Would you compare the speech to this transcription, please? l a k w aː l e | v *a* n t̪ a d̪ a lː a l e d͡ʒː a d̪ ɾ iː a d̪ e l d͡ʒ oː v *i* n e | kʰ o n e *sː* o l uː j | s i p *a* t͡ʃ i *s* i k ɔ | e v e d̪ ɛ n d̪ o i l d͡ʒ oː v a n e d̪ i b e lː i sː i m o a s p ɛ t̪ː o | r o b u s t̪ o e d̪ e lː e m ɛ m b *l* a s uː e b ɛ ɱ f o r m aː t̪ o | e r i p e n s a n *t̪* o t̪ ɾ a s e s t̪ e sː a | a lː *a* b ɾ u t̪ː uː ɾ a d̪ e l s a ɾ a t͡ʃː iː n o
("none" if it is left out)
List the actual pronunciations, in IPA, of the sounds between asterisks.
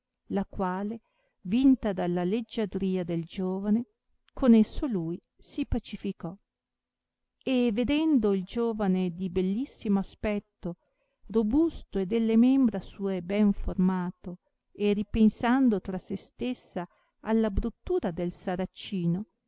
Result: i, a, sː, a, f, ɾ, d̪, a

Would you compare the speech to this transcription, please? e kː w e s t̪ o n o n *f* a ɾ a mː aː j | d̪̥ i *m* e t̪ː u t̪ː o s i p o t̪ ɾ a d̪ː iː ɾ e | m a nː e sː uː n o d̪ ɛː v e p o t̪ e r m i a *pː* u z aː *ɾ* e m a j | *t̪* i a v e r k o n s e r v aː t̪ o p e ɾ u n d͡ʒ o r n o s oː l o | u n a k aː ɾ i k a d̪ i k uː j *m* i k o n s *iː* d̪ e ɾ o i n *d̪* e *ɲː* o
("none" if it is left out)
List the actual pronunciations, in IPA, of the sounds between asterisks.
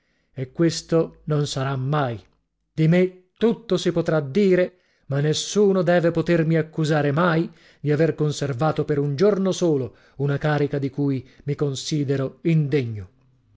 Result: s, m, kː, ɾ, d̪, m, iː, d̪, ɲː

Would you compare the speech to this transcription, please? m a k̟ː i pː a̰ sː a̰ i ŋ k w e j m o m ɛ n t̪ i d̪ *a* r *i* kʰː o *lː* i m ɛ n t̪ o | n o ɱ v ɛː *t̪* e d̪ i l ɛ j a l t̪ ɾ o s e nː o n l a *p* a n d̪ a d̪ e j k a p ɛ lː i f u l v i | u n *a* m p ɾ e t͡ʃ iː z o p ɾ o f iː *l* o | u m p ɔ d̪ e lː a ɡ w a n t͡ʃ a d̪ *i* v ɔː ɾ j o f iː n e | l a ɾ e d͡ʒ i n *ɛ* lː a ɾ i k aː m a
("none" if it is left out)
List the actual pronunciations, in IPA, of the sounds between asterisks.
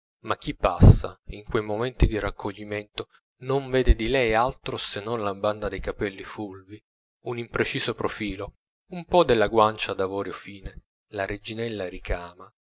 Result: i, a, ʎː, d̪, b, i, l, a, ɛ

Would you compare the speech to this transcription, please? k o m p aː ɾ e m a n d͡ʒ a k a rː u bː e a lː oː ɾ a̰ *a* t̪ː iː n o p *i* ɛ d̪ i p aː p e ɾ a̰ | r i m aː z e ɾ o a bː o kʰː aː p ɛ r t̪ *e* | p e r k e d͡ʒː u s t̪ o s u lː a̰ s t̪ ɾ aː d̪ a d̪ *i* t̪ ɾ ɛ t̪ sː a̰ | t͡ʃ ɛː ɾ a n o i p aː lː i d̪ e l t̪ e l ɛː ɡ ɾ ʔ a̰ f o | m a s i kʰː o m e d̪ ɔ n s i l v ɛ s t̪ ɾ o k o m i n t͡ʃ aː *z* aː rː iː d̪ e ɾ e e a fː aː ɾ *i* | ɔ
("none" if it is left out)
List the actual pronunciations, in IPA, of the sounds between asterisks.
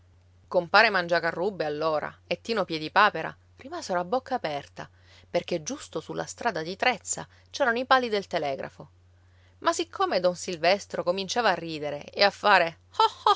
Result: e, j, a, i, v, e

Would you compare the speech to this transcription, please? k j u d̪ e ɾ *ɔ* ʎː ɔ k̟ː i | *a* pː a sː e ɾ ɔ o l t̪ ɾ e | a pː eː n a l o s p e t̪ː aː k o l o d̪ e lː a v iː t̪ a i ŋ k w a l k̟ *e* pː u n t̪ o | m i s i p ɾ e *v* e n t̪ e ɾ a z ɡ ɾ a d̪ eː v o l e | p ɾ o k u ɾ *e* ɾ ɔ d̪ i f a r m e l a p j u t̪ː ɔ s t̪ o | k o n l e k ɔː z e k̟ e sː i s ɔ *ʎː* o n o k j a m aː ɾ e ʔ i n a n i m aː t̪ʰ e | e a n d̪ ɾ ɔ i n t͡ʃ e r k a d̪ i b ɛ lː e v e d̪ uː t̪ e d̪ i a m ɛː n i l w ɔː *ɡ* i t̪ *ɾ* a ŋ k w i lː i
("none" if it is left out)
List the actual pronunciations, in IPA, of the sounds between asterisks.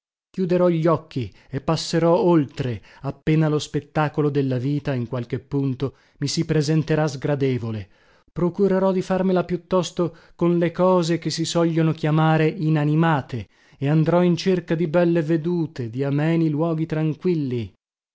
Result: ɔ, e, e, z, e, ʎː, ɡ, ɾ

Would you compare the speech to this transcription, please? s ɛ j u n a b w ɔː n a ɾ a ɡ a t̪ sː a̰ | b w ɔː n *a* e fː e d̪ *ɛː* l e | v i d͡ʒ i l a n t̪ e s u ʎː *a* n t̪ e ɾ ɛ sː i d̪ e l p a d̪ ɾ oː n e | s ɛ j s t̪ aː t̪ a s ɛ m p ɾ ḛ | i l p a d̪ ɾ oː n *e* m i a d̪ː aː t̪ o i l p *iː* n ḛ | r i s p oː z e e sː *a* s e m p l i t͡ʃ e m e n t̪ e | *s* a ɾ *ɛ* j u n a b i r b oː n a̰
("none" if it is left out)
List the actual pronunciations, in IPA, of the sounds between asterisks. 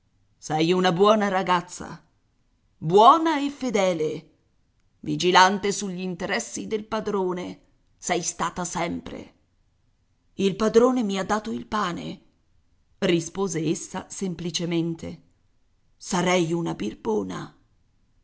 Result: a, ɛː, i, e, aː, a, s, ɛ

